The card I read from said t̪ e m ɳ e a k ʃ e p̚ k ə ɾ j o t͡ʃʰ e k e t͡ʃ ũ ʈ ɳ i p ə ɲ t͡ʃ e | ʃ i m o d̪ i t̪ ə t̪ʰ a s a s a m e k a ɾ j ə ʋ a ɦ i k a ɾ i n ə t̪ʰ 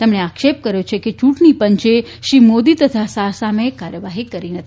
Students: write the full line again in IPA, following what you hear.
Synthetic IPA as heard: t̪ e m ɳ e a k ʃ e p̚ k ə ɾ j o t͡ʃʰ e k e t͡ʃ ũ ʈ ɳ i p ə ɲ t͡ʃ e | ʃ i m o d̪ i t̪ ə t̪ʰ a s a s a m e k a ɾ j ə ʋ a ɦ i k ə ɾ i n ə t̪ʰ